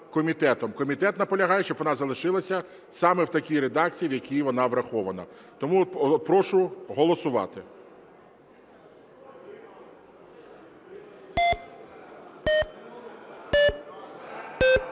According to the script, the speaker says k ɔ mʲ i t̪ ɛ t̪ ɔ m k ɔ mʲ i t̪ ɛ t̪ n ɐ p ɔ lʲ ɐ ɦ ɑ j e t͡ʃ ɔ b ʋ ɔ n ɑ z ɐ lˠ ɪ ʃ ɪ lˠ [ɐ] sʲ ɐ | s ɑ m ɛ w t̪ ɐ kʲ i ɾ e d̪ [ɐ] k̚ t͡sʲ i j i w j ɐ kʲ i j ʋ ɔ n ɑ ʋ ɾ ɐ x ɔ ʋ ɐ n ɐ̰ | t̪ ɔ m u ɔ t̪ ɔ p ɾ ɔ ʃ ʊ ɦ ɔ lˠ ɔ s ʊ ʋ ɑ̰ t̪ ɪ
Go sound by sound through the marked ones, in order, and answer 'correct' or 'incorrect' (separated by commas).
correct, incorrect